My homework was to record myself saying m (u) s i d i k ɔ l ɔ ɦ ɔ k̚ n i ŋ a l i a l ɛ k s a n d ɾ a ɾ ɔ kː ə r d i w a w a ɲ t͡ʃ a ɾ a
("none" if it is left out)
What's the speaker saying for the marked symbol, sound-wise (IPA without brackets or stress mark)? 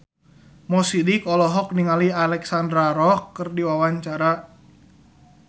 ɔ